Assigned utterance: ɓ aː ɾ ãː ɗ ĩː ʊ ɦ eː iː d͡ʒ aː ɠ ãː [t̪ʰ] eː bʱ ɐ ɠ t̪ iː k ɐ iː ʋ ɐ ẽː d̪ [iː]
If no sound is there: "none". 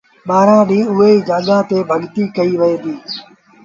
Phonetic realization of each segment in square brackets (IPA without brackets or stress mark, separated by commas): t̪, iː